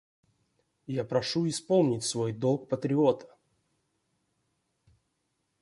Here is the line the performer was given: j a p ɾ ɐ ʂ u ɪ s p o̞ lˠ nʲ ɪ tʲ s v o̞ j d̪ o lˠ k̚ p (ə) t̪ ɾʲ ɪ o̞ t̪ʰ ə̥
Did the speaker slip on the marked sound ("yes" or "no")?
no